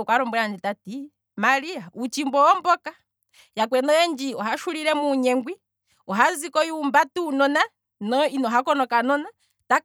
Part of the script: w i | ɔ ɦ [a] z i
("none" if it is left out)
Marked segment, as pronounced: a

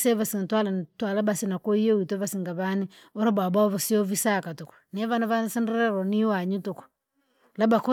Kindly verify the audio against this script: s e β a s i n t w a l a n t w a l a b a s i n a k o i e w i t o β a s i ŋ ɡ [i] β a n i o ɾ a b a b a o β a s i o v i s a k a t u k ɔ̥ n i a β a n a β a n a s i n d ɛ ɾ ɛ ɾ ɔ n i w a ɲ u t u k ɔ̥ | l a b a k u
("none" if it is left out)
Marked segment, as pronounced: a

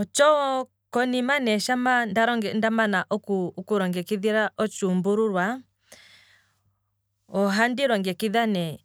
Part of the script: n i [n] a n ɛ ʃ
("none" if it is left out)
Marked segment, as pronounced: m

